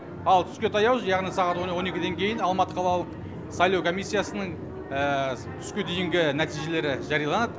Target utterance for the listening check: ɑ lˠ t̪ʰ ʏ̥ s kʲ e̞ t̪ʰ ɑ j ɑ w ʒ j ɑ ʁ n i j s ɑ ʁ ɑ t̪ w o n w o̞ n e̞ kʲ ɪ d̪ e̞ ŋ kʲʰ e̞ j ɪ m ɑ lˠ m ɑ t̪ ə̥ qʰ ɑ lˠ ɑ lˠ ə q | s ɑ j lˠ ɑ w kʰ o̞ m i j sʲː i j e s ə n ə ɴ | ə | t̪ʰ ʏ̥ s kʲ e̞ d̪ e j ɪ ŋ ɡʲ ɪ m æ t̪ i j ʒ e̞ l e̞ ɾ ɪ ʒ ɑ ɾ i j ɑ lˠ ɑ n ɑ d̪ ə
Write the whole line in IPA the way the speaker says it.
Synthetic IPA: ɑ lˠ t̪ʰ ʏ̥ s kʲ e̞ t̪ʰ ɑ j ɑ w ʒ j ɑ ʁ n i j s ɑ ʁ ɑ t̪ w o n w o̞ n e̞ kʲ ɪ d̪ e̞ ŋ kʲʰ e̞ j ɪ n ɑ lˠ m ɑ t̪ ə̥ qʰ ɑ lˠ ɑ lˠ ə q | s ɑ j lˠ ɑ w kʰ o̞ m i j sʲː i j a s ə n ə ɴ | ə | t̪ʰ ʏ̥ s kʲ e̞ d̪ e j ɪ ŋ ɡʲ ɪ n æ t̪ i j ʒ e̞ l e̞ ɾ ɪ ʒ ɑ ɾ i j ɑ lˠ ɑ n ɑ d̪ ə